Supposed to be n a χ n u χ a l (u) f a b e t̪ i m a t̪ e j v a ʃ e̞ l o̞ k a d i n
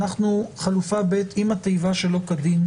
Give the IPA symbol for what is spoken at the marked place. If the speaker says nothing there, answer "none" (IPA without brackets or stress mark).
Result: u